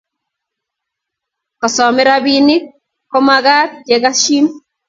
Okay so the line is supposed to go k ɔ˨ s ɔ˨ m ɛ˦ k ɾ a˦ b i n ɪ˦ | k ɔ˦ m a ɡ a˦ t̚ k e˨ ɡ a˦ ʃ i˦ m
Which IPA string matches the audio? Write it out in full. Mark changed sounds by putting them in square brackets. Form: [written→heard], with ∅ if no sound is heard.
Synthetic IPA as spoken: k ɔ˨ s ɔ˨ m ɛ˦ [k→∅] ɾ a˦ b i n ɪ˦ | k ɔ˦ m a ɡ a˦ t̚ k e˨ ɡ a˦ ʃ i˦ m

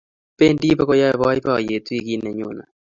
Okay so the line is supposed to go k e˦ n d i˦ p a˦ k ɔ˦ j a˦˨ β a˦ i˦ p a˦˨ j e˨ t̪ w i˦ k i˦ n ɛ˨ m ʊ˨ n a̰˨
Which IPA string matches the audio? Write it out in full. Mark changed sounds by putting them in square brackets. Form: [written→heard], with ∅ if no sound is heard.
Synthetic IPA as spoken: [k→p] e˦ n d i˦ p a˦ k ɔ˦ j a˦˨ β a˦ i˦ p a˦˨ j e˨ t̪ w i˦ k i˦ n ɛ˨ [m→ɲ] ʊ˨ n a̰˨

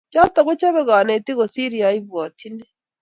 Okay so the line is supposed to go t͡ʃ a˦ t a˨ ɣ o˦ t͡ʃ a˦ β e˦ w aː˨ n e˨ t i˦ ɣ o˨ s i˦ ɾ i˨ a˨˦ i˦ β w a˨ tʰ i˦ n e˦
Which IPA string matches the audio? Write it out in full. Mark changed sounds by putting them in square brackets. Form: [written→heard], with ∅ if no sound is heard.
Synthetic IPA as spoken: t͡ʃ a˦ t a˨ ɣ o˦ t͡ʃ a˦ β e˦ [w→ɣ] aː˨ n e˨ t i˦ ɣ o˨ s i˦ ɾ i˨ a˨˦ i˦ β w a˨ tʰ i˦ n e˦

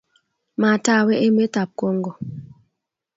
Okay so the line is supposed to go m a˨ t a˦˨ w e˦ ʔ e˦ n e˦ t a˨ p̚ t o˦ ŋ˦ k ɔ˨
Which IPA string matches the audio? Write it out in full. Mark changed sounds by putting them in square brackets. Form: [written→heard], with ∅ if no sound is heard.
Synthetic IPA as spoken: m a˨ t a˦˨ w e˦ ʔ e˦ [n→m] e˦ t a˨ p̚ [t→k] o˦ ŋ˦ [k→ɡ] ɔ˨

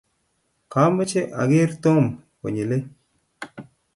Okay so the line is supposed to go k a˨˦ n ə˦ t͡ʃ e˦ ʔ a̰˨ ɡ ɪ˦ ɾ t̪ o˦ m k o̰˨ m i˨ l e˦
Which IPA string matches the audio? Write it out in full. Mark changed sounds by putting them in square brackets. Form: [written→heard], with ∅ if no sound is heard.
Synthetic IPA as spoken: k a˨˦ [n→m] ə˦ t͡ʃ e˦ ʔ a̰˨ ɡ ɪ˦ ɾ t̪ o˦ m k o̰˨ [m→ɲ] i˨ l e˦

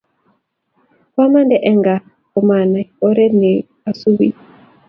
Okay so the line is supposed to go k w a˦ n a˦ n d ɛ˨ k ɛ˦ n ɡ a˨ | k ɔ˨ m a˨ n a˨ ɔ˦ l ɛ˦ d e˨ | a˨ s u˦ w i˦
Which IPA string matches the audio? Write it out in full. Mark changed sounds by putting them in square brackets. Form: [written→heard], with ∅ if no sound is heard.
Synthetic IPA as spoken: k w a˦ [n→m] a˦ n d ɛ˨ [k→ʔ] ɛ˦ [n→ŋ] ɡ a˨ | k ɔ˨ m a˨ n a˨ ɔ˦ [l→ɾ] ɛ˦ [d→n] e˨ | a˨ s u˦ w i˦

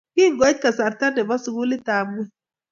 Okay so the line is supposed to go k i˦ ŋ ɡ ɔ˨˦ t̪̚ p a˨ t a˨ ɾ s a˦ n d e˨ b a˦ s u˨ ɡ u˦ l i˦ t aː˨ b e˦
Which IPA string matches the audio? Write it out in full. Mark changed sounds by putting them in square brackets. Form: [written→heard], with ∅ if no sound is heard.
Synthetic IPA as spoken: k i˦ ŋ ɡ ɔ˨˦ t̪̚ [p→k] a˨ [t→s] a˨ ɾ [s→t] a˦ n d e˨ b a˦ s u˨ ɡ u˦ l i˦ t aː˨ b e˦

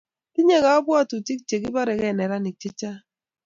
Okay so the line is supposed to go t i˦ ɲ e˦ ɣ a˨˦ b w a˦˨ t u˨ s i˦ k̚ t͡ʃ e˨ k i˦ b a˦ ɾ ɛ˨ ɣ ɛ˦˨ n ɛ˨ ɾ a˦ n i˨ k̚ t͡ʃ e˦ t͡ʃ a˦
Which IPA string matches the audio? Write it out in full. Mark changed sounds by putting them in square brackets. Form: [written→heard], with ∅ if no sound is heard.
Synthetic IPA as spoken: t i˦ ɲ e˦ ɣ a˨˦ b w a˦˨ t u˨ [s→t] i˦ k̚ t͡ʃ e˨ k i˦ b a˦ ɾ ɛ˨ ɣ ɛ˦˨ n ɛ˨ ɾ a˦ n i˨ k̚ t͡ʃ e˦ t͡ʃ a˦

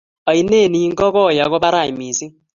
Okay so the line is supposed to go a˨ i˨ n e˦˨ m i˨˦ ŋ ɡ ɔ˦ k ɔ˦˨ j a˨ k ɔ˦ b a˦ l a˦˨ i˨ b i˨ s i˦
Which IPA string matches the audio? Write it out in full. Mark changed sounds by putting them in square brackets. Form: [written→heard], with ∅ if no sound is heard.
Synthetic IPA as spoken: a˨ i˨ n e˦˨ [m→n] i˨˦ ŋ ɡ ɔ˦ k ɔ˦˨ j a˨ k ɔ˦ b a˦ [l→ɾ] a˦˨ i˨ [b→m] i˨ s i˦

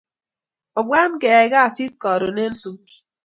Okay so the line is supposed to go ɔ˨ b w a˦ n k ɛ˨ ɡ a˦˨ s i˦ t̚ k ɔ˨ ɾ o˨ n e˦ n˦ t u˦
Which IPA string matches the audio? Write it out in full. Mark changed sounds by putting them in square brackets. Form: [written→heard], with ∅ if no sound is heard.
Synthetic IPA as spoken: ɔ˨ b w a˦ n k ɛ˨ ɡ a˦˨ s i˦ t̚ k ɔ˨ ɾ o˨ n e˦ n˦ [t→s] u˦

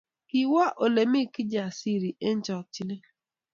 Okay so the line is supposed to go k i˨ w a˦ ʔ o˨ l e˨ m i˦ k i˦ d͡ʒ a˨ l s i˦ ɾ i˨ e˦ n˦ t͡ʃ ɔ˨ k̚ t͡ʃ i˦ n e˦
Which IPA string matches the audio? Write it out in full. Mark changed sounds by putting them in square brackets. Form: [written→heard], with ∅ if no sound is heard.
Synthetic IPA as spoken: k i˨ w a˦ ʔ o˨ l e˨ m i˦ k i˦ d͡ʒ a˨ [l→∅] s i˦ ɾ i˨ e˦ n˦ t͡ʃ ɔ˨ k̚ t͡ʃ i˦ n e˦

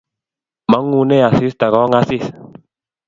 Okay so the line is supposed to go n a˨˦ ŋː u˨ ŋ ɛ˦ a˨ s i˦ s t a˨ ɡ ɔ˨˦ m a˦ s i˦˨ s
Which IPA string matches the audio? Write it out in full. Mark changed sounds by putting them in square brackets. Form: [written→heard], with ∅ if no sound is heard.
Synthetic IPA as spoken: [n→m] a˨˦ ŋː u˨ [ŋ→n] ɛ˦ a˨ s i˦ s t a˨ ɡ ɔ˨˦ [m→ŋ] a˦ s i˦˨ s

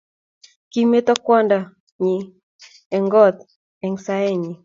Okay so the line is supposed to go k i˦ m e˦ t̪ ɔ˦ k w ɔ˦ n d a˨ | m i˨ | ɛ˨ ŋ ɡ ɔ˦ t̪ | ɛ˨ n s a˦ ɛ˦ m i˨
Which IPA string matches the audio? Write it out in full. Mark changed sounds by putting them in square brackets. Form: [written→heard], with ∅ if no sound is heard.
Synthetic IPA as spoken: k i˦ m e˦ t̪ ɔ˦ k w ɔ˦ n d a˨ | [m→ɲ] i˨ | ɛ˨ ŋ ɡ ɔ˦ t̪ | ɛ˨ [n→ŋ] s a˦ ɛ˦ [m→ɲ] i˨

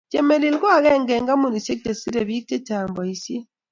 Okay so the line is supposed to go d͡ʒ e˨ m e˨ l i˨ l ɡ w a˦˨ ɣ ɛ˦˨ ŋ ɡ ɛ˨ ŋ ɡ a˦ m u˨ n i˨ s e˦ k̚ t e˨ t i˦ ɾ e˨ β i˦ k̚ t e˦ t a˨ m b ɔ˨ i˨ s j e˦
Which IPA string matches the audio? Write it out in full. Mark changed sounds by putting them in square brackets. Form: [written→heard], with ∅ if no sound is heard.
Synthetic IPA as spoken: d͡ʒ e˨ m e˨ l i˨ l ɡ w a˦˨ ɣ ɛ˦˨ ŋ ɡ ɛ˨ ŋ ɡ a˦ m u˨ n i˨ s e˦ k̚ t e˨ [t→s] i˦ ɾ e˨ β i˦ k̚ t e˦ t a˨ m b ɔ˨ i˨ s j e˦

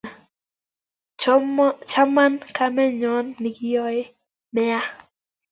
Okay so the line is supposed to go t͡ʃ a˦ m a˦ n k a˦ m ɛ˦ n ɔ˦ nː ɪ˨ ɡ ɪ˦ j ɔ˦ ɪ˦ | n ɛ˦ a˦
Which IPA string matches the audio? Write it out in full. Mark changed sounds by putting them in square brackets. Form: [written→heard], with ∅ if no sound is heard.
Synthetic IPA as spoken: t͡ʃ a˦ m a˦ n k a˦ m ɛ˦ [n→ɲ] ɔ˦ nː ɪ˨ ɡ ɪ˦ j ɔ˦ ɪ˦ | [n→m] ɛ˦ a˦

